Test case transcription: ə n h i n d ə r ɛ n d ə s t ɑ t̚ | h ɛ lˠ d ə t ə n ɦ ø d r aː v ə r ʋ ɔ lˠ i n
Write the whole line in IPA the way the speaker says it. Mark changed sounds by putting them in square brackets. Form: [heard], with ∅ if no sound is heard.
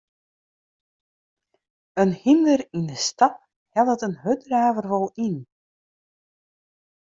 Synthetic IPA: ə n h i n d ə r [i] n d ə s t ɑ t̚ | h ɛ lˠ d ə t ə n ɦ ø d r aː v ə r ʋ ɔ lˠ i n